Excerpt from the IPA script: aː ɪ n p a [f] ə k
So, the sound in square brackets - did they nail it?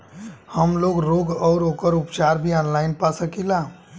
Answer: no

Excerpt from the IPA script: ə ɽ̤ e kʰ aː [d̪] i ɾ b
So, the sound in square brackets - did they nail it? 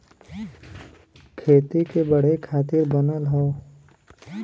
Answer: no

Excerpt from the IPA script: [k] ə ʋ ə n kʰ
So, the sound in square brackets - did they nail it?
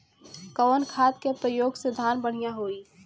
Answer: yes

